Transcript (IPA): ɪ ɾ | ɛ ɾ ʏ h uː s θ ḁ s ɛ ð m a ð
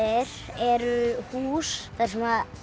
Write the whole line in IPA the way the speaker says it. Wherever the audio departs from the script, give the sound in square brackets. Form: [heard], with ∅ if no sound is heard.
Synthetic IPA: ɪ ɾ | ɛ ɾ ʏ h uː s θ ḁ s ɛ [∅] m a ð

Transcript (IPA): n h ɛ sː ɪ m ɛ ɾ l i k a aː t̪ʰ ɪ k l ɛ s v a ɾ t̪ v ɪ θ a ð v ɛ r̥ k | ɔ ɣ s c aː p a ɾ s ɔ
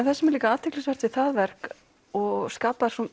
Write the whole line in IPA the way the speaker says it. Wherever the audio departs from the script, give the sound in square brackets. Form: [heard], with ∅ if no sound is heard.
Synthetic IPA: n [θ] ɛ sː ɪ m ɛ ɾ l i k a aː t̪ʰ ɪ k l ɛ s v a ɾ t̪ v ɪ θ a ð v ɛ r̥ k | ɔ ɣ s [k] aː p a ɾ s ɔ

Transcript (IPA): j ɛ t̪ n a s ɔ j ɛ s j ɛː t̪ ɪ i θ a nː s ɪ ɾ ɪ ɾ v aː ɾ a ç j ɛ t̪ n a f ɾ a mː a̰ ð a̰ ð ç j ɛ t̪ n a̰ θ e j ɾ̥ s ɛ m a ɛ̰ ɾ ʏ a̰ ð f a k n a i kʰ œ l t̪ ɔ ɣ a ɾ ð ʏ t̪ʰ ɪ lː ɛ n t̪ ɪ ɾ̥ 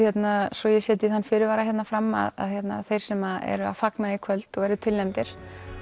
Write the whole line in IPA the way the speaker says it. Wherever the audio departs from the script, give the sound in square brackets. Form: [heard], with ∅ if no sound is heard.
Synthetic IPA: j ɛ t̪ n a s ɔ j ɛ s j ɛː t̪ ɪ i θ a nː [f] ɪ ɾ ɪ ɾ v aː ɾ a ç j ɛ t̪ n a f ɾ a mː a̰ ð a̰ ð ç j ɛ t̪ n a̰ θ e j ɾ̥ s ɛ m a ɛ̰ ɾ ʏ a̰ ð f a k n a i kʰ œ l t̪ ɔ ɣ [ɛ] ɾ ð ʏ t̪ʰ ɪ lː ɛ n t̪ ɪ ɾ̥

